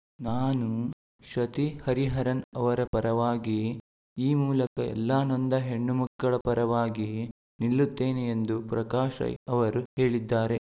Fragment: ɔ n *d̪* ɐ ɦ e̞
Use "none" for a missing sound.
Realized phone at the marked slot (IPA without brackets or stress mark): d̪